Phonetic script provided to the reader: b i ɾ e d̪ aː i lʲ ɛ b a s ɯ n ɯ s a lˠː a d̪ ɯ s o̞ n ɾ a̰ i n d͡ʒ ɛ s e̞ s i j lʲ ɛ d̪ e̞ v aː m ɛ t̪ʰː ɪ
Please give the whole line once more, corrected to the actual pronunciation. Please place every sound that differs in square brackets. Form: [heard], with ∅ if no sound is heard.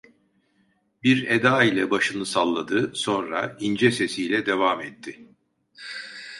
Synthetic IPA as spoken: b i ɾ e d̪ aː i lʲ ɛ b a [ʃ] ɯ n ɯ s a lˠː a d̪ ɯ s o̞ n ɾ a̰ i n d͡ʒ ɛ s e̞ s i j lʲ ɛ d̪ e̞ v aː m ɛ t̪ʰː ɪ